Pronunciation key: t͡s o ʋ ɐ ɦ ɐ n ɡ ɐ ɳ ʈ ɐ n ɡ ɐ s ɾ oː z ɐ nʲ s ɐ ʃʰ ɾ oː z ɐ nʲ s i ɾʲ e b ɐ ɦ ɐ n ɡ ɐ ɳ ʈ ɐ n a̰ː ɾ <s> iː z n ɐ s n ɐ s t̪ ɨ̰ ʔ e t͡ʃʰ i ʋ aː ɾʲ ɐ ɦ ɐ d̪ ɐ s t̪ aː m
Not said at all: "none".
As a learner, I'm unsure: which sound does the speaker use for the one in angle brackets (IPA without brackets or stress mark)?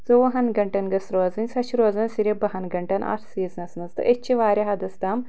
s